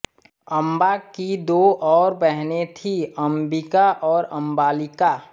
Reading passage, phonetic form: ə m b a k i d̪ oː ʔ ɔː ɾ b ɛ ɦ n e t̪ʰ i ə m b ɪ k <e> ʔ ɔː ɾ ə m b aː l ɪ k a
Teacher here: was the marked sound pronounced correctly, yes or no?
no